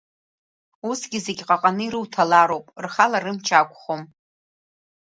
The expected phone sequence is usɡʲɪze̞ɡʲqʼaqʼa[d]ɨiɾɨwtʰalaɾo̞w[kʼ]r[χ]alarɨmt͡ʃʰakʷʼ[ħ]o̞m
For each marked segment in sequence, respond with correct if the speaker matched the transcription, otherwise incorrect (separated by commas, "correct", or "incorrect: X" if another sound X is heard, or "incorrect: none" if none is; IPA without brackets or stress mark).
incorrect: n, incorrect: pʼ, correct, incorrect: χ